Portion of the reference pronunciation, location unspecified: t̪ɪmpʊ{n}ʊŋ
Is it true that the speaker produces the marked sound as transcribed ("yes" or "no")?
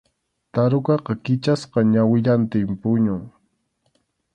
no